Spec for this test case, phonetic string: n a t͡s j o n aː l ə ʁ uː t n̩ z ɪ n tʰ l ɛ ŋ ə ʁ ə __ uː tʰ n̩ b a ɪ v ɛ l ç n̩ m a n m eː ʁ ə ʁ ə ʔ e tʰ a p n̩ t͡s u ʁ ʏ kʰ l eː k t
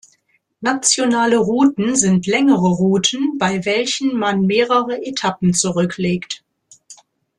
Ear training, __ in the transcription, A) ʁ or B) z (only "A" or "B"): A